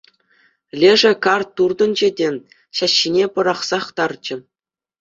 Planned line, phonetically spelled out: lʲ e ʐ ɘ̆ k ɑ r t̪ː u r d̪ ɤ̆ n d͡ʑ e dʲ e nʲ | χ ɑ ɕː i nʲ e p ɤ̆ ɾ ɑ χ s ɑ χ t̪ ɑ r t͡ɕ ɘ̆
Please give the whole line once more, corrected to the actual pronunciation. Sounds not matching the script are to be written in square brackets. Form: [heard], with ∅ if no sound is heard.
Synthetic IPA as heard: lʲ e ʐ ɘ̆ k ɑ r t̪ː u r d̪ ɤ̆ n d͡ʑ e dʲ e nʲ | [ɕ] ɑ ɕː i nʲ e p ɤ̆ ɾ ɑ χ s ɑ χ t̪ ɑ r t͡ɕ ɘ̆